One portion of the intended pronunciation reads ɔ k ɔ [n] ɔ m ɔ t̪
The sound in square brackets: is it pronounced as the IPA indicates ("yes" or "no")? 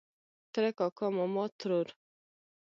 no